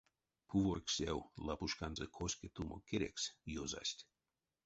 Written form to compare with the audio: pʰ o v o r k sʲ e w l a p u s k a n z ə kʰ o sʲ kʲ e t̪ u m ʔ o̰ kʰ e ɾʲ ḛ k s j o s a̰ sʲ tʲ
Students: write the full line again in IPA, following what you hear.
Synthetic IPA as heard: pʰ u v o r k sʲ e w l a p u ʃ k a n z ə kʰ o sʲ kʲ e t̪ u m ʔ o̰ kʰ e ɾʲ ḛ k s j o z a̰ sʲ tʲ